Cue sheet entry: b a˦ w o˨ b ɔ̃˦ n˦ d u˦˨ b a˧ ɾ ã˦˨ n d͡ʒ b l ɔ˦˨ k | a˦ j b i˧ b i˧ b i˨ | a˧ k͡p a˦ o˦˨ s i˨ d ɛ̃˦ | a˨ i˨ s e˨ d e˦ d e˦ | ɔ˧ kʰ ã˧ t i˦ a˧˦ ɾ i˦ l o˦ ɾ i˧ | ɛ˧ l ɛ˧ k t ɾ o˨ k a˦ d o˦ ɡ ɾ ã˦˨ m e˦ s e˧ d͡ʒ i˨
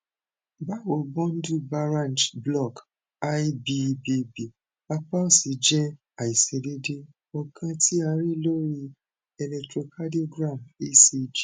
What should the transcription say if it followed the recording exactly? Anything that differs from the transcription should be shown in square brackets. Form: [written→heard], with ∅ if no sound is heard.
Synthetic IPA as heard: b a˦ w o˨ b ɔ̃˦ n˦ d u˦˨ b a˧ ɾ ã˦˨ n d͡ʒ b l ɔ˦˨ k | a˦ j b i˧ b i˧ b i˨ | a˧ k͡p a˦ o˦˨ s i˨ [d→d͡ʒ] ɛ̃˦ | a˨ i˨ s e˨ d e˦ d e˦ | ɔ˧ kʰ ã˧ t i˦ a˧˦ ɾ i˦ l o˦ ɾ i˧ | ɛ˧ l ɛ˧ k t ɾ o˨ k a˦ d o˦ ɡ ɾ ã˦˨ m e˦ s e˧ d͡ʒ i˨